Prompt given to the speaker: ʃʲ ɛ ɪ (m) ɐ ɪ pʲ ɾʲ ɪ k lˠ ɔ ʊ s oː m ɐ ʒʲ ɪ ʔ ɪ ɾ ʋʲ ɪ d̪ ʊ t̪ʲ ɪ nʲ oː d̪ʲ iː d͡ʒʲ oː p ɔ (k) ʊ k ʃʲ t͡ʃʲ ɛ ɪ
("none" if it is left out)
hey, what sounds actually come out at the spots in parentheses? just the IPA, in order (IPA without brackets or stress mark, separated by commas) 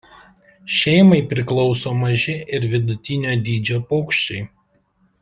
m, none